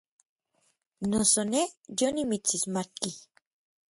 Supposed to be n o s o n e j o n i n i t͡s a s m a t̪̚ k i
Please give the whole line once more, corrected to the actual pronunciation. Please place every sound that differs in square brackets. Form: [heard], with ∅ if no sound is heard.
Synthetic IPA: n o s o n e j o n i [m] i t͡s [i] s m a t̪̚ k i